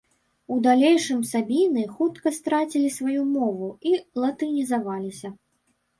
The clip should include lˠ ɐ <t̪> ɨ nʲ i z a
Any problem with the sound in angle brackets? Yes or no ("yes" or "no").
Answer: no